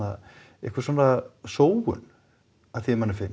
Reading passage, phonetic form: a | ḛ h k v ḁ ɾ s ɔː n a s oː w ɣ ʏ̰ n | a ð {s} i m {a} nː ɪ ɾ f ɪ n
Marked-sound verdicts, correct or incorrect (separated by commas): incorrect, correct